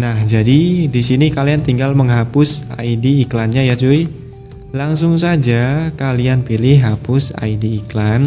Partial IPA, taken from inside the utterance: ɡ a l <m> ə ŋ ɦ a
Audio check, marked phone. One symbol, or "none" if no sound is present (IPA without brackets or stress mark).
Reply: m